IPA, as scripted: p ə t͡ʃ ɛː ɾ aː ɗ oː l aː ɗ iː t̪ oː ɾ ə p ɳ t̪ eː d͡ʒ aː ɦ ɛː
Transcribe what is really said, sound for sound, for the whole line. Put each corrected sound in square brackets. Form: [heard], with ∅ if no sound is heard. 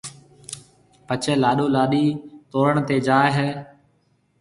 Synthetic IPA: p ə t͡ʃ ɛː [l] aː ɗ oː l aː ɗ iː t̪ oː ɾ ə [∅] ɳ t̪ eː d͡ʒ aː ɦ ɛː

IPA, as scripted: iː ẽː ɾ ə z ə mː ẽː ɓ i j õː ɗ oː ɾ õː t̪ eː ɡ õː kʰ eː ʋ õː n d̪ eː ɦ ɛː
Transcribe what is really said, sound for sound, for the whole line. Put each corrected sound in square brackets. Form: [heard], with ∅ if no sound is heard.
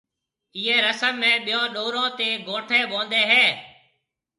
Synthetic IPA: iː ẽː ɾ ə [s] ə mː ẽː ɓ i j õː ɗ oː ɾ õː t̪ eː ɡ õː [ʈʰ] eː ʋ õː n d̪ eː ɦ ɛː

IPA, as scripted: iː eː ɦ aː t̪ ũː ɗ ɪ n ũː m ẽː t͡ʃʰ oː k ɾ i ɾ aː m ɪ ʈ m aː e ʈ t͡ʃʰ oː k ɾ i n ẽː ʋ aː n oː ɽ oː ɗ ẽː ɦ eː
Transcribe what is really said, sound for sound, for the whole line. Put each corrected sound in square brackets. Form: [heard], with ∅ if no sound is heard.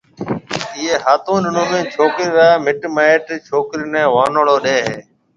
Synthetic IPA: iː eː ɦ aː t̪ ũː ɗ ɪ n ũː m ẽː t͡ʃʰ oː k ɾ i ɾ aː m ɪ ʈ m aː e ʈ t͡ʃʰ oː k ɾ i n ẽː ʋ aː n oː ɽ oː ɗ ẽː ɦ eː

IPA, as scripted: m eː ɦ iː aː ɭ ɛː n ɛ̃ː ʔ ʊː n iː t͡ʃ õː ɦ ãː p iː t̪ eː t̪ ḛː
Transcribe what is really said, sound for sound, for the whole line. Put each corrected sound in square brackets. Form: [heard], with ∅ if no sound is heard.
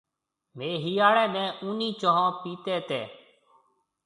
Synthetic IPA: m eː ɦ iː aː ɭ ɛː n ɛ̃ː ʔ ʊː n iː t͡ʃ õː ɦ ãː p iː t̪ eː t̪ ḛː

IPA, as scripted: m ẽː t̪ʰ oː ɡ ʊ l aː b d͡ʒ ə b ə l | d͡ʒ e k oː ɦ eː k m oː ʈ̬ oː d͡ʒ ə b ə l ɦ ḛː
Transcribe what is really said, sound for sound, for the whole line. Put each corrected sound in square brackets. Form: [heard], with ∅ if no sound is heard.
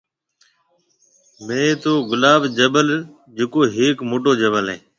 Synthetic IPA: m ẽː [t̪] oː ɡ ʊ l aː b d͡ʒ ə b ə l | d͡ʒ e k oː ɦ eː k m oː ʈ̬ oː d͡ʒ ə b ə l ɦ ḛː

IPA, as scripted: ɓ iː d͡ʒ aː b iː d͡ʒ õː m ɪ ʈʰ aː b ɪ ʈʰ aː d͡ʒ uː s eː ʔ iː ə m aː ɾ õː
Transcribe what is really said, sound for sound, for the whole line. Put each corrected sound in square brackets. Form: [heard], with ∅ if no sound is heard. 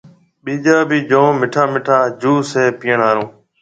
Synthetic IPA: ɓ iː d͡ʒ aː b iː d͡ʒ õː m ɪ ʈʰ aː [m] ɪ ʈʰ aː d͡ʒ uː s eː [p] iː ə [ɳ] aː ɾ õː

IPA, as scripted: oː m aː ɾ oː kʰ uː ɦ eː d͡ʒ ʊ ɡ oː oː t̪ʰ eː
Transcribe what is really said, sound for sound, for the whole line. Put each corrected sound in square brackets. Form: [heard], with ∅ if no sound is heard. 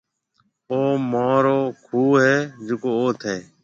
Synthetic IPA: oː m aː ɾ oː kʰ uː ɦ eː d͡ʒ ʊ [k] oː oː t̪ʰ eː

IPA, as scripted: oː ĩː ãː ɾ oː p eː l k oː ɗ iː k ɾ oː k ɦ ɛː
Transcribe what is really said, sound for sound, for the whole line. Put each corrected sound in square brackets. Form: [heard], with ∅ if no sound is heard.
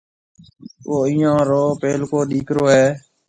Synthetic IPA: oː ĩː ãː ɾ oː p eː l k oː ɗ iː k ɾ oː [∅] ɦ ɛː

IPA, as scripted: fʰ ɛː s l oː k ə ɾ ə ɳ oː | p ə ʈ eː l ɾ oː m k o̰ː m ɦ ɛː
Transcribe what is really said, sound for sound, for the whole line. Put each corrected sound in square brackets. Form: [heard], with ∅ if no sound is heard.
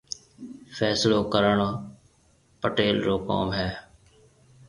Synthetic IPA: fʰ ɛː s l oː k ə ɾ ə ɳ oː | p ə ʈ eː l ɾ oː [∅] k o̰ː m ɦ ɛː

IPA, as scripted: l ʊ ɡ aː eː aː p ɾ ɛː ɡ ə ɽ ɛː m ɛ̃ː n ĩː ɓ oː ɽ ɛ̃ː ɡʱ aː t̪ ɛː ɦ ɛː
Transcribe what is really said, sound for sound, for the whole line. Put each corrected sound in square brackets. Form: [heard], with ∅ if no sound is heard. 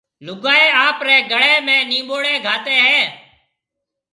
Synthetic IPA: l ʊ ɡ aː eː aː p ɾ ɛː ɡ ə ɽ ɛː m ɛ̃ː n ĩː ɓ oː ɽ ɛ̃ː ɡʱ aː t̪ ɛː ɦ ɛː

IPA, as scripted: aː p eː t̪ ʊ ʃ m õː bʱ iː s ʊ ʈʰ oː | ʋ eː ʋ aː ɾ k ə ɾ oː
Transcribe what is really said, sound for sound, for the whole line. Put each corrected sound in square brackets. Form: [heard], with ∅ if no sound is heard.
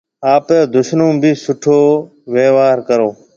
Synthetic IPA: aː p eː [d̪] ʊ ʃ [n] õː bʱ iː s ʊ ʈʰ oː | ʋ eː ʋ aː ɾ k ə ɾ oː

